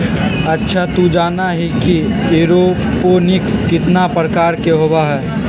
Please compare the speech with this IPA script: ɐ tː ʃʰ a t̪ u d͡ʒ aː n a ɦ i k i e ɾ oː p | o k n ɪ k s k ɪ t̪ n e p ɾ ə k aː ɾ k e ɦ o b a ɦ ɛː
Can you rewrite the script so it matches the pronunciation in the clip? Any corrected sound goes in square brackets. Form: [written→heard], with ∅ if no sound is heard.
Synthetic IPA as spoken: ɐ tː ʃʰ a t̪ u d͡ʒ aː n a ɦ i k i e ɾ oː p | o [k→∅] n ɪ k s k ɪ t̪ n [e→a] p ɾ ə k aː ɾ k e ɦ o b a ɦ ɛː